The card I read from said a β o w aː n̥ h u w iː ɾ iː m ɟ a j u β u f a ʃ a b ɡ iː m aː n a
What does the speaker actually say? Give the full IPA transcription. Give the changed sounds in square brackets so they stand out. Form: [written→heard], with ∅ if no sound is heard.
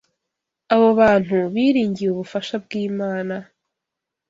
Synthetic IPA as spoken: a β o [w→β] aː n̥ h u [w→β] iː ɾ iː [m→ɲ] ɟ [a→i] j u β u f a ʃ a b ɡ iː m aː n a